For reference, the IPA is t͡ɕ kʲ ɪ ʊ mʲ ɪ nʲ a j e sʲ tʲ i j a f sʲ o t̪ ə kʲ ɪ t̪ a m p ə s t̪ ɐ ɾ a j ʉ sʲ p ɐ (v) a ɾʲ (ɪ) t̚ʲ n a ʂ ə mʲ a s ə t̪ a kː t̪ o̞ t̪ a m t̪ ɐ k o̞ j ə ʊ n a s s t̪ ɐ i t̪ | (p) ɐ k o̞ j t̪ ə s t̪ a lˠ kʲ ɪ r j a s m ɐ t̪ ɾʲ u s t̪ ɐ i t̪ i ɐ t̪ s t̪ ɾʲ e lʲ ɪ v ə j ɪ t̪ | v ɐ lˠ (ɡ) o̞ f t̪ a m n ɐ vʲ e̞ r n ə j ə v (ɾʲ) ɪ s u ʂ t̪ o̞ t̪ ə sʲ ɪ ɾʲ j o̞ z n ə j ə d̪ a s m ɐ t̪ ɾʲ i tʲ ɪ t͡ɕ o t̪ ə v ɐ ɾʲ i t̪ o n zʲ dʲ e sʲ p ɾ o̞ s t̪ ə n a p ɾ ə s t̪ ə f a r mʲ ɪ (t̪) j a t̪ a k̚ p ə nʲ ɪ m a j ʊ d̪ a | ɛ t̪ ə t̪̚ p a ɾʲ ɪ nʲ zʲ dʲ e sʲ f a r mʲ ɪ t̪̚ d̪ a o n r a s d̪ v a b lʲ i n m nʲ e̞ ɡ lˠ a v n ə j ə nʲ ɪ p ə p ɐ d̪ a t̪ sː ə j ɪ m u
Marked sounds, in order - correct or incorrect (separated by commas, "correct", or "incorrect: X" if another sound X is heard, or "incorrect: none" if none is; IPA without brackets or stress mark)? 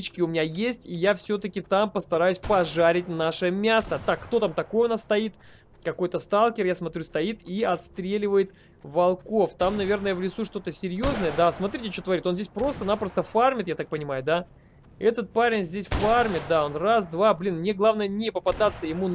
incorrect: ʐ, correct, incorrect: k, incorrect: k, incorrect: lʲ, correct